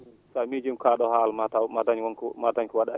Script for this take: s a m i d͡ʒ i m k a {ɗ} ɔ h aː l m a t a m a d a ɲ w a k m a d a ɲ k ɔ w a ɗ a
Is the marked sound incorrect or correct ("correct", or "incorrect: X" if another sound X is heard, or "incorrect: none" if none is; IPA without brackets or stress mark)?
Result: correct